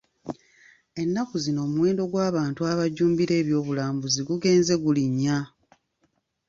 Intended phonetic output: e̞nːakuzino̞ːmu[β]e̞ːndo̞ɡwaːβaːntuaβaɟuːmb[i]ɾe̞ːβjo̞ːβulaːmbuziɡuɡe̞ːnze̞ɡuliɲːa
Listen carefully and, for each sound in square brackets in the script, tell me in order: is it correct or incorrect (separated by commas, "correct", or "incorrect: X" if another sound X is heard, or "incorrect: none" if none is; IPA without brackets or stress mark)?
incorrect: w, correct